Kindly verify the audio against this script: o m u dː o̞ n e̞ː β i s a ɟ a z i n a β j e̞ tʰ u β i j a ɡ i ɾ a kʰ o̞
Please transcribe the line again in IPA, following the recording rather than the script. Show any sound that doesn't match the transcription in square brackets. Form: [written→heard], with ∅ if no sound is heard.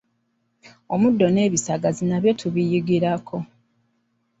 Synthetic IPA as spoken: o m u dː o̞ n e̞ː β i s a [ɟ→ɡ] a z i n a β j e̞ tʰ u β i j [a→i] ɡ i ɾ a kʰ o̞